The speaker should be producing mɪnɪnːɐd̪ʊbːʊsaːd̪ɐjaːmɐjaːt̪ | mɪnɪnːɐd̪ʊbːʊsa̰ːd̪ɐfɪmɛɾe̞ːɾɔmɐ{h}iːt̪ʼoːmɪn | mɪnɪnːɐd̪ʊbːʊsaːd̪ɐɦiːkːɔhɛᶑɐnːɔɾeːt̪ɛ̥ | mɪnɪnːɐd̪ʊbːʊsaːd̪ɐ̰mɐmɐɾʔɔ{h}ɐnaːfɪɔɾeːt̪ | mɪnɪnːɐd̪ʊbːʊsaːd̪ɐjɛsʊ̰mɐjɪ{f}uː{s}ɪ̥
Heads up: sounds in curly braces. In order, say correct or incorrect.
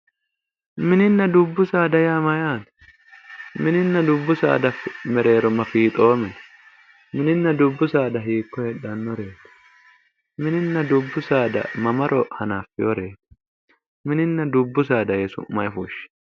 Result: incorrect: f, correct, correct, incorrect: ʃ

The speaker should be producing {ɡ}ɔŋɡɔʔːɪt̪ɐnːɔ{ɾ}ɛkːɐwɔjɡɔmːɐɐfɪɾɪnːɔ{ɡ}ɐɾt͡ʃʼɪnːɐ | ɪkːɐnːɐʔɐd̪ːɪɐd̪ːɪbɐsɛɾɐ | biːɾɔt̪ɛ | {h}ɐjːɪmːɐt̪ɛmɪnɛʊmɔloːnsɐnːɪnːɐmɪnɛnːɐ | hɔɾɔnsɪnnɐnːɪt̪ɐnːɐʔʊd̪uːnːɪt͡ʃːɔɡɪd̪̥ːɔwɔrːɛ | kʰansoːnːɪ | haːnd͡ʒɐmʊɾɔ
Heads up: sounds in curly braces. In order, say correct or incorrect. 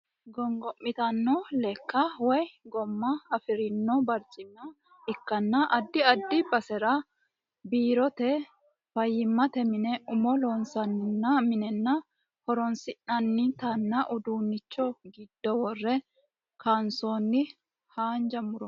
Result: correct, incorrect: l, incorrect: b, incorrect: f

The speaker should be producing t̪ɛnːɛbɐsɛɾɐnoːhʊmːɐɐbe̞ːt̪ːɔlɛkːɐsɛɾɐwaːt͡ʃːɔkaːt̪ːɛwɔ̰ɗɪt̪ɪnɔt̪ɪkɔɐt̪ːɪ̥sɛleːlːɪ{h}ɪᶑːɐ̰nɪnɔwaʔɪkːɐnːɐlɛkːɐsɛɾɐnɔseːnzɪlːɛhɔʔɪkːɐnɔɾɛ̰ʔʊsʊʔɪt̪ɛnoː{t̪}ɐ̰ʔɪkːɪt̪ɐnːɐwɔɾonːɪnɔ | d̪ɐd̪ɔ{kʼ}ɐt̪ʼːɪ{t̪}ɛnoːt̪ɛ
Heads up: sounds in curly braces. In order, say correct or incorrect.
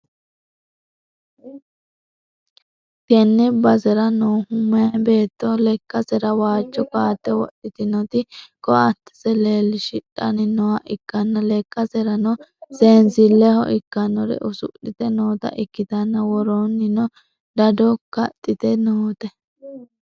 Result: incorrect: ʃ, correct, incorrect: k, correct

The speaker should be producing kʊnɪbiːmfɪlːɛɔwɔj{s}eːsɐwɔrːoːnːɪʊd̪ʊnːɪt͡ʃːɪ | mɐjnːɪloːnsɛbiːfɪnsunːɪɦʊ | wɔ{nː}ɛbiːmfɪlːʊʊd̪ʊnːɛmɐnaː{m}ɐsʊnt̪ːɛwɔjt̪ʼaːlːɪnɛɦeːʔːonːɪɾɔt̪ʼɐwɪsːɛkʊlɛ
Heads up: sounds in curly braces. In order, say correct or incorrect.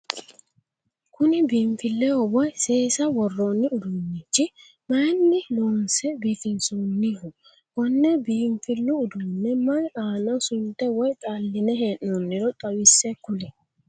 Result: correct, correct, incorrect: n

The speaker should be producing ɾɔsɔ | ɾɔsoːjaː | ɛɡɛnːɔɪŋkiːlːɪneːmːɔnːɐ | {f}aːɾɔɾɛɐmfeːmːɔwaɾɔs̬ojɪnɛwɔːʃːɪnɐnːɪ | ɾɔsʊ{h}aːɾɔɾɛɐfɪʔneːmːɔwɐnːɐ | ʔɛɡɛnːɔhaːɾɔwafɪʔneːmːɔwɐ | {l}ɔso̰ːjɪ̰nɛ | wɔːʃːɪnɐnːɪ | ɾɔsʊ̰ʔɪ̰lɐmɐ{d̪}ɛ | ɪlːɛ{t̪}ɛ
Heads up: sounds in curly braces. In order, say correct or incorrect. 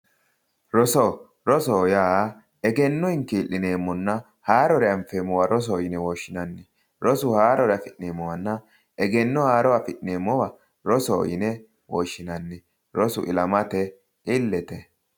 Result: incorrect: h, correct, incorrect: ɾ, incorrect: t̪, correct

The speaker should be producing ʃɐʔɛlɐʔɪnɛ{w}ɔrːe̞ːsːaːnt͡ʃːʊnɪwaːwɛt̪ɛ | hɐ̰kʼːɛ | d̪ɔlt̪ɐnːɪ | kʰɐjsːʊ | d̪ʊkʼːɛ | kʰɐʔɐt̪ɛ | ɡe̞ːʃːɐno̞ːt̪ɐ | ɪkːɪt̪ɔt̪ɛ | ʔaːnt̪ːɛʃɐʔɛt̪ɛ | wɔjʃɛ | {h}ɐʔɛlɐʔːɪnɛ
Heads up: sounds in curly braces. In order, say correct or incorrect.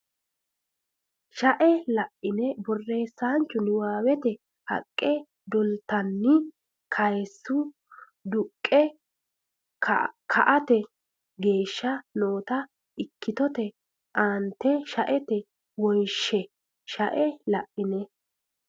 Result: incorrect: b, incorrect: ʃ

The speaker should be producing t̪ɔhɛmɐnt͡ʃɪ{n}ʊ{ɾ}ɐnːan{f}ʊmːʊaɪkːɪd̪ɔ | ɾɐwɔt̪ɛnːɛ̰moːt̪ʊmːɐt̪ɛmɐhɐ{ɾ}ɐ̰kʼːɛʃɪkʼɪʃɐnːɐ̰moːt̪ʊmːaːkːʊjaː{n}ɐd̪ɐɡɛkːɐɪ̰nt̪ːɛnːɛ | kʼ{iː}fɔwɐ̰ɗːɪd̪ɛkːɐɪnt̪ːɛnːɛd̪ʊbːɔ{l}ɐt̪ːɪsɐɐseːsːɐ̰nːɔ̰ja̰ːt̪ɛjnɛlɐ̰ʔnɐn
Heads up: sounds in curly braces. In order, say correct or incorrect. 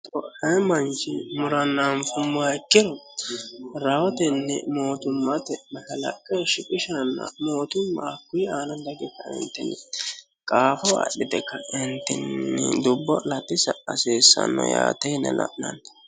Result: incorrect: m, correct, correct, incorrect: l, correct, incorrect: aː, correct

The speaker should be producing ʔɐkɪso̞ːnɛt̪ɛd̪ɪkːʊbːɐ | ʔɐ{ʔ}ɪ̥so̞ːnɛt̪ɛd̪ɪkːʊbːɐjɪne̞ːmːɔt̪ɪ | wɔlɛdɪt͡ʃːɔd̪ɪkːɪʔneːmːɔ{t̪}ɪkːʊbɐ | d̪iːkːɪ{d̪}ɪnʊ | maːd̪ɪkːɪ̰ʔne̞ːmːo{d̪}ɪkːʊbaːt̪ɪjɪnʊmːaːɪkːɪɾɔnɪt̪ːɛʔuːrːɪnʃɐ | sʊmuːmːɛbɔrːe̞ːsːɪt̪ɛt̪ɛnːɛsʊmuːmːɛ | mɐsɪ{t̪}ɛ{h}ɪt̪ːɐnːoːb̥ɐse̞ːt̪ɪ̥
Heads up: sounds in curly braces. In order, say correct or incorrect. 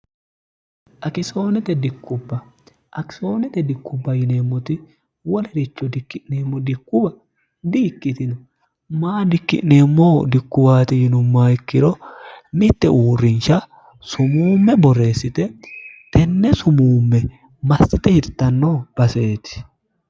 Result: incorrect: k, incorrect: d̪, incorrect: t̪, correct, correct, correct

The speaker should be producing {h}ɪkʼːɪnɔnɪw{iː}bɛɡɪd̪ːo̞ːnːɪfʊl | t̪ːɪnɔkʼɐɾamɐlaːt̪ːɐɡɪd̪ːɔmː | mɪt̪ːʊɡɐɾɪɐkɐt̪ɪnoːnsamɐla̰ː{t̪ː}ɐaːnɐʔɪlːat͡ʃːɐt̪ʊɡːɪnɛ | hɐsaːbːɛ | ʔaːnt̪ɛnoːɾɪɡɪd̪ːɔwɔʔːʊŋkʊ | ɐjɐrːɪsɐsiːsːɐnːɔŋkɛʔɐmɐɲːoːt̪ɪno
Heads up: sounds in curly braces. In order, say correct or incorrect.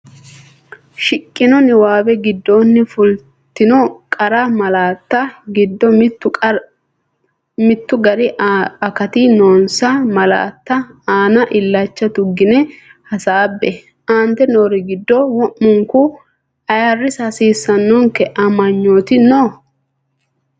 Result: incorrect: ʃ, incorrect: aː, correct

